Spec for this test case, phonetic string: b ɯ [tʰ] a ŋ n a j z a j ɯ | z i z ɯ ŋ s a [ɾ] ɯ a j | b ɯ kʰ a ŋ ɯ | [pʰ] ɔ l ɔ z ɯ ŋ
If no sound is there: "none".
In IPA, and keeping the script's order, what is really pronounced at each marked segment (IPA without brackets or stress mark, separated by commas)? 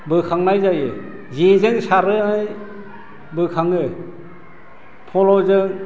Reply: kʰ, ɾ, pʰ